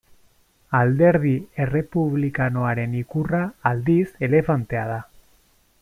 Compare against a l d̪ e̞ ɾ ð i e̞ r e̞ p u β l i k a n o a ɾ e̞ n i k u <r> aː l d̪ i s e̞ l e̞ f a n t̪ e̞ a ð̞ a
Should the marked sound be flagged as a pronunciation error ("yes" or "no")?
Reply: no